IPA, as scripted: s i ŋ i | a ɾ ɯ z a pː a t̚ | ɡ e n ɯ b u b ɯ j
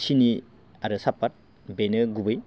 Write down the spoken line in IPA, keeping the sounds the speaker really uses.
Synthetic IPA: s i n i | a ɾ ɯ s a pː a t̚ | b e n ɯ ɡ u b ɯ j

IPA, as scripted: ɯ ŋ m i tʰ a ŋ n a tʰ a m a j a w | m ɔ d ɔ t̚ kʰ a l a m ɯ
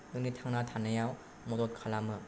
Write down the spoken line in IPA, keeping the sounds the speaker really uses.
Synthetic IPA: ɯ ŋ n i tʰ a ŋ n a tʰ a n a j a w | m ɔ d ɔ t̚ kʰ a l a m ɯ

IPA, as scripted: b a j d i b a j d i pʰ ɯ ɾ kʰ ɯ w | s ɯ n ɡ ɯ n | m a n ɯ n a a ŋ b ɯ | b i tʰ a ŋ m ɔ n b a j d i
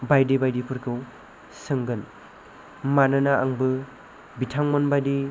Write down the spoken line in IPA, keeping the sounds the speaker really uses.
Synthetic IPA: b a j d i b a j d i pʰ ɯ ɾ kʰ ɯ w | s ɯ ŋ ɡ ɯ n | m a n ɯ n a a ŋ b ɯ | b i tʰ a ŋ m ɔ n b a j d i

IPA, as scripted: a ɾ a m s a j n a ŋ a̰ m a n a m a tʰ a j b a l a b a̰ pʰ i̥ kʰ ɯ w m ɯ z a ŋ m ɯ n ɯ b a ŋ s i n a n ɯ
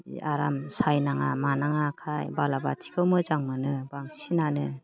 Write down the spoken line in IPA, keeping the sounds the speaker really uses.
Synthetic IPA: a ɾ a m s a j n a ŋ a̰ m a n a ŋ a kʰ a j b a l a b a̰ tʰ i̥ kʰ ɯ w m ɯ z a ŋ m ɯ n ɯ b a ŋ s i n a n ɯ

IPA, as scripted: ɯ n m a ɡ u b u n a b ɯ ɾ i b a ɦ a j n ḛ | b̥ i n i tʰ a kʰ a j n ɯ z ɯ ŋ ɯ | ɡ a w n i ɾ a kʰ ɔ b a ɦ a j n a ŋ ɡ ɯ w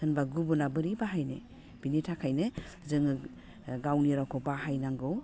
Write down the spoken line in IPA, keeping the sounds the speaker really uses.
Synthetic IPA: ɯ n b a ɡ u b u n a b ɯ ɾ i b a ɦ a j n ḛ | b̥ i n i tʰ a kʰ a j n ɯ z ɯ ŋ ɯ | ɡ a w n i ɾ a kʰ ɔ b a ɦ a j n a ŋ ɡ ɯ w

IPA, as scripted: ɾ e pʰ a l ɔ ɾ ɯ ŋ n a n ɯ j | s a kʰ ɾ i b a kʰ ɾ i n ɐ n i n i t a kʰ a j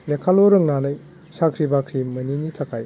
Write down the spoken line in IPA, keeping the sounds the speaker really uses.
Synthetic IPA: l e kʰ a l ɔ ɾ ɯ ŋ n a n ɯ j | s a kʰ ɾ i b a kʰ ɾ i m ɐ n i n i tʰ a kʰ a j

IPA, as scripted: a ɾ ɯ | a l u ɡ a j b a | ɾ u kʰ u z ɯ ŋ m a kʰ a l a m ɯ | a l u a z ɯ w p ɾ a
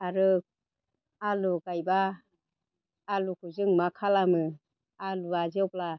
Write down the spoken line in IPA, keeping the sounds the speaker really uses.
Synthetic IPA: a ɾ ɯ | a l u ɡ a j b a | l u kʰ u z ɯ ŋ m a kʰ a l a m ɯ | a l u a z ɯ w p l a

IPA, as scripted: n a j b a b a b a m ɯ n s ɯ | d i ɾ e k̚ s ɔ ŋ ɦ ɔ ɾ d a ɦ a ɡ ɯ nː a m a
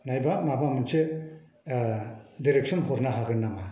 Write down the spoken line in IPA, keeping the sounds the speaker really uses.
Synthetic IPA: n a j b a m a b a m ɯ n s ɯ | d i ɾ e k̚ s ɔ n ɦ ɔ ɾ n a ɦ a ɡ ɯ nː a m a

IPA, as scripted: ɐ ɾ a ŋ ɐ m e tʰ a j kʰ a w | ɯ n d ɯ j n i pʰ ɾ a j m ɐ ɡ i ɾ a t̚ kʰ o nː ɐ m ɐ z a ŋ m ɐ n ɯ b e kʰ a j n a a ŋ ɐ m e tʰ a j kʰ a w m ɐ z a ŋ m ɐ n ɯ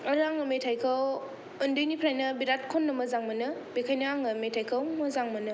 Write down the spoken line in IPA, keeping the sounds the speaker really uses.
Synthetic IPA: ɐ ɾ a ŋ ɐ m e tʰ a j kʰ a w | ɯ n d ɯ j n i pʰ ɾ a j n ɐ b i ɾ a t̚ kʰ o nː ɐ m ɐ z a ŋ m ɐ n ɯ b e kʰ a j n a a ŋ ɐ m e tʰ a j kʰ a w m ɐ z a ŋ m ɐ n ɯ

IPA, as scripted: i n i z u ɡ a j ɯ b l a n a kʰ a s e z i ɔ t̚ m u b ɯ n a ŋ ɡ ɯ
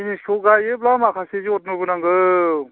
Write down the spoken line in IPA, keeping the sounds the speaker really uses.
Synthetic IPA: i n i s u ɡ a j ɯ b l a m a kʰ a s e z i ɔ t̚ n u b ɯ n a ŋ ɡ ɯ

